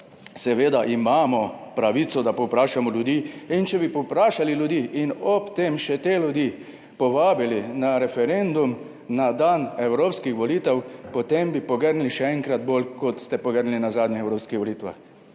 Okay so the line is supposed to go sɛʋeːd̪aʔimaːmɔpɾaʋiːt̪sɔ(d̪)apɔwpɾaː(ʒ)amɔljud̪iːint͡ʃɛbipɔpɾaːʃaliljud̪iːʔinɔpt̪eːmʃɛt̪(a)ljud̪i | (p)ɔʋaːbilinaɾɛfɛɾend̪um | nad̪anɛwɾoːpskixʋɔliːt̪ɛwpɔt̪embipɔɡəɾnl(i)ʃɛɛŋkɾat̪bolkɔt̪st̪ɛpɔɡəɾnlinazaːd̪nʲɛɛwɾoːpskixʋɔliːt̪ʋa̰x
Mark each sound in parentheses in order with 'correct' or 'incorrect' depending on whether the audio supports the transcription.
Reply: correct, incorrect, incorrect, correct, correct

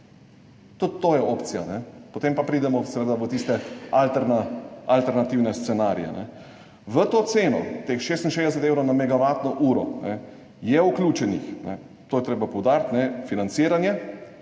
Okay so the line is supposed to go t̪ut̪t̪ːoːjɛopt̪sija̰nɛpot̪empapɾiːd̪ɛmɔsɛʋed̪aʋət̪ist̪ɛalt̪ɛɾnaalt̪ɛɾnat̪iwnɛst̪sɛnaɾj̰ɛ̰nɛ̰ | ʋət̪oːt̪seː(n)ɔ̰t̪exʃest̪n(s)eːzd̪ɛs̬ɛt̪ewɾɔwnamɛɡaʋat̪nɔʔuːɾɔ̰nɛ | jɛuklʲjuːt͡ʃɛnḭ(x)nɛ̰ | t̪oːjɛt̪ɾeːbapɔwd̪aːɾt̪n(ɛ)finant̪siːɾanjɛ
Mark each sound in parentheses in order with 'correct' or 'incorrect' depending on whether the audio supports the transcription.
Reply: correct, incorrect, correct, correct

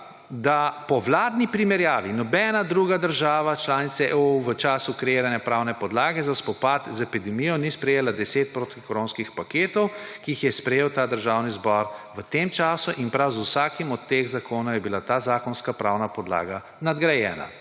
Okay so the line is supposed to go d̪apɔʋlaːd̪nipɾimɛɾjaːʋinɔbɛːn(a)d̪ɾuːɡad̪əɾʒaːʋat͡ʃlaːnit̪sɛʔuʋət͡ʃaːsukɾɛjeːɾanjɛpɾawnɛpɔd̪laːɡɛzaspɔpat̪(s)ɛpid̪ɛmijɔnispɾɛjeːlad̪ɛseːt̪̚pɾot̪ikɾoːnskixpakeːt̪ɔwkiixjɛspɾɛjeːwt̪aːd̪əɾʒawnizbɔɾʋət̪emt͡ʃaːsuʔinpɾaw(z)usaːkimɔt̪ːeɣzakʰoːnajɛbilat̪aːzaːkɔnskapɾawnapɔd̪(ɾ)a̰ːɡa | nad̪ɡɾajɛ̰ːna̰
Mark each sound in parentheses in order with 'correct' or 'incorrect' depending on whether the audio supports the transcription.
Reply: correct, incorrect, correct, incorrect

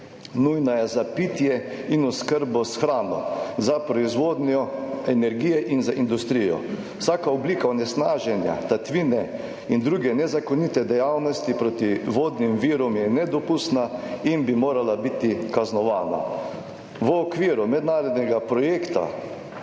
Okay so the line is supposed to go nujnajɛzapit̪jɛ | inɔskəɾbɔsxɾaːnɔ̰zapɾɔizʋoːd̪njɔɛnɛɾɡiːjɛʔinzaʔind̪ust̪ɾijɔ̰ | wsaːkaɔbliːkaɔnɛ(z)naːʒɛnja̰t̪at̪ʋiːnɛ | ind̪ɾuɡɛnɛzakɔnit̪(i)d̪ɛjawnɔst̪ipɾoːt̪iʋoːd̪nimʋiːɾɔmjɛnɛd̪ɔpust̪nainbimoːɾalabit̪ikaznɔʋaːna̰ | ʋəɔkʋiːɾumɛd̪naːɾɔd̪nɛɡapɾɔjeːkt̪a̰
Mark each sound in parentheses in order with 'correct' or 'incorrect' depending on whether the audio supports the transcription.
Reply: incorrect, incorrect

